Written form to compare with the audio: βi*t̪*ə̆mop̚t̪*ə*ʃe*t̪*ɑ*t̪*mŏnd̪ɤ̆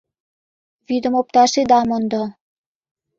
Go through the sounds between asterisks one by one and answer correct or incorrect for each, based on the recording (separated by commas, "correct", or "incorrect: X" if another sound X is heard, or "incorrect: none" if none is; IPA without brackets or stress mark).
incorrect: d̪, incorrect: ɑ, incorrect: d̪, incorrect: none